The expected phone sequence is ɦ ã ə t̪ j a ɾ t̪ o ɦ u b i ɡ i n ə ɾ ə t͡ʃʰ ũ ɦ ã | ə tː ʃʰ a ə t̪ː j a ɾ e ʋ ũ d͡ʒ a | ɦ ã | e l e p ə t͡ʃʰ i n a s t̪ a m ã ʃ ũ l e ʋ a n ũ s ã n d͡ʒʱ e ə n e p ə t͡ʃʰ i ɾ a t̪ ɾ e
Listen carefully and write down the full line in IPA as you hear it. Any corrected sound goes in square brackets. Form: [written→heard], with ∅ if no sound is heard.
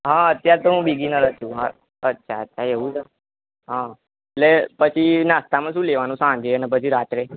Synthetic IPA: ɦ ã ə t̪ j a ɾ t̪ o ɦ [u→ũ] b i ɡ i n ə ɾ ə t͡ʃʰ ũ ɦ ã | ə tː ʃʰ a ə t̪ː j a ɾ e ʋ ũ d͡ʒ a | ɦ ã | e l e p ə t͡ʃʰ i n a s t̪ a m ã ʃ ũ l e ʋ a n ũ s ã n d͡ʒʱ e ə n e p ə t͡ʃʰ i ɾ a t̪ ɾ e